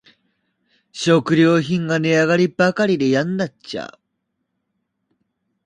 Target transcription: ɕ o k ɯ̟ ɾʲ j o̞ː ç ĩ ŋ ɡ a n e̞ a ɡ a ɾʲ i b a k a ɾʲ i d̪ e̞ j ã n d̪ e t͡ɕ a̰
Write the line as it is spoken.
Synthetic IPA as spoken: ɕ o k ɯ̟ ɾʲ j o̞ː ç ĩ ŋ ɡ a n e̞ a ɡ a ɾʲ i b a k a ɾʲ i d̪ e̞ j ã n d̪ a t͡ɕ a̰